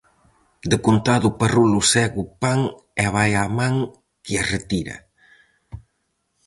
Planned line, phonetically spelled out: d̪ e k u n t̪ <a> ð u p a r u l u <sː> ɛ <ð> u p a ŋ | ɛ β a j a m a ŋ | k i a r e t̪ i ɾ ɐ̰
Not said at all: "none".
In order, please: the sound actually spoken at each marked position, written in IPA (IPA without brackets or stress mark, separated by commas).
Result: a, s, ɣ